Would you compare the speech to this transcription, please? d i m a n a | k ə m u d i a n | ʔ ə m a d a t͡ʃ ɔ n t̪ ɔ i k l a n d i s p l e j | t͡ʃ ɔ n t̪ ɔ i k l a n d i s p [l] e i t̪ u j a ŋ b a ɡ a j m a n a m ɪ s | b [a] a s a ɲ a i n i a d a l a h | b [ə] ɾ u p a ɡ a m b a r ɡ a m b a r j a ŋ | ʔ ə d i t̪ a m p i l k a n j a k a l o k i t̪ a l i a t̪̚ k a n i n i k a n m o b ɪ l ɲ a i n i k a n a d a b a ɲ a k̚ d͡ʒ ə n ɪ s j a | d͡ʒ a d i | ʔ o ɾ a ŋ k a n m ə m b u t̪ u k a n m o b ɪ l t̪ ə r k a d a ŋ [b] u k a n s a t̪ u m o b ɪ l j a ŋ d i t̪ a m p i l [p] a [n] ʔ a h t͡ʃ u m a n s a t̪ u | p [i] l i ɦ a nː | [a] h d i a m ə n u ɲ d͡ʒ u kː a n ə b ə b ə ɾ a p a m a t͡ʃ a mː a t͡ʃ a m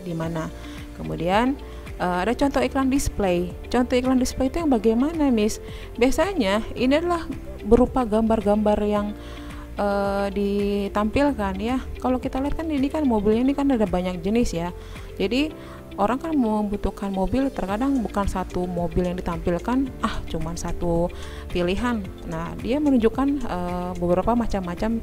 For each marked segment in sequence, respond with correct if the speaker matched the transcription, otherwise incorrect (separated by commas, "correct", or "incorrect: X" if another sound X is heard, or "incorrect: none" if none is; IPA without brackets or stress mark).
correct, incorrect: i, correct, correct, incorrect: k, correct, correct, correct